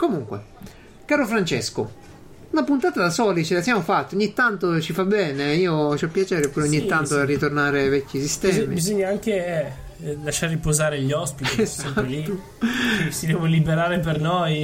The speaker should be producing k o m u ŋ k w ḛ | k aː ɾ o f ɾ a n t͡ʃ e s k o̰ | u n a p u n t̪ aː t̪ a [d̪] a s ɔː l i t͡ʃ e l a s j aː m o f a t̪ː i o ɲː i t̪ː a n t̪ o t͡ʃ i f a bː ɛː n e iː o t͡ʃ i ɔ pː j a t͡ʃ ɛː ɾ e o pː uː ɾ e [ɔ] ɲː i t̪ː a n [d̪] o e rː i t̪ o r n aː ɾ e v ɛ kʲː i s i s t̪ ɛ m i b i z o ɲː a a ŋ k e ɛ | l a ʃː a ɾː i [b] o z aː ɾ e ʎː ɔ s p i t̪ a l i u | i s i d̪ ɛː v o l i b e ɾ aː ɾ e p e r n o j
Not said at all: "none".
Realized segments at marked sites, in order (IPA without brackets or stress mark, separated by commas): d̪, o, t̪, p